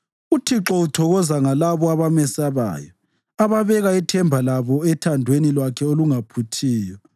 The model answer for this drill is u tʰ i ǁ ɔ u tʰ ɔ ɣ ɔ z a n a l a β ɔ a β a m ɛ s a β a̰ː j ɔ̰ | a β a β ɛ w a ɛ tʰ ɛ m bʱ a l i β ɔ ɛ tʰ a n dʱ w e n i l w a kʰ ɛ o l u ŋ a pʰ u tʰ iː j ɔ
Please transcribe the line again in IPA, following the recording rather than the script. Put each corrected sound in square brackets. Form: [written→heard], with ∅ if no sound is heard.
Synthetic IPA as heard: u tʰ i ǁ ɔ u tʰ ɔ ɣ ɔ z a [n→ŋ] a l a β ɔ a β a m ɛ s a β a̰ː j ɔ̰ | a β a β ɛ [w→ɣ] a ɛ tʰ ɛ m bʱ a l [i→a] β ɔ ɛ tʰ a n dʱ w e n i l w a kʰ ɛ o l u ŋ a pʰ u tʰ iː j ɔ